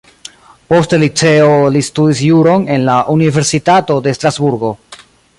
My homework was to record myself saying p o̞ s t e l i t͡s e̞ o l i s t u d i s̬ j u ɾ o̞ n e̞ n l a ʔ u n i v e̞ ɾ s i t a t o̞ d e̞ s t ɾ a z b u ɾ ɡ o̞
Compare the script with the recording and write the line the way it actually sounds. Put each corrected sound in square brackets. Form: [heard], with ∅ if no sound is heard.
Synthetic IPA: p o̞ s t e l i t͡s e̞ o l i s t u d i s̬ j u ɾ o̞ n e̞ n l a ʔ u n i v e̞ ɾ s i t a t o̞ d e̞ s t ɾ a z b u ɾ ɡ o̞